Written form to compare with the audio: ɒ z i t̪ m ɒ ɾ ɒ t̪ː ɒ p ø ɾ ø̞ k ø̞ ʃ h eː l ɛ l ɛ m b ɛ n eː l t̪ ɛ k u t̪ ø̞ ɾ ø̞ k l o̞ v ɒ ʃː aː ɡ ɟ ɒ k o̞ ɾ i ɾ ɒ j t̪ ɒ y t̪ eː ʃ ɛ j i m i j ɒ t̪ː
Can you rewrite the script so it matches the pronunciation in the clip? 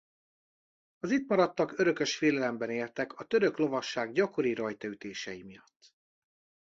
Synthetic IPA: ɒ z i t̪ m ɒ ɾ ɒ t̪ː ɒ k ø ɾ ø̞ k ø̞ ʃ f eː l ɛ l ɛ m b ɛ n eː l t̪ ɛ k ɒ t̪ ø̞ ɾ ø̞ k l o̞ v ɒ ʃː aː ɡ ɟ ɒ k o̞ ɾ i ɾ ɒ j t̪ ɒ y t̪ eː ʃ ɛ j i m i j ɒ t̪ː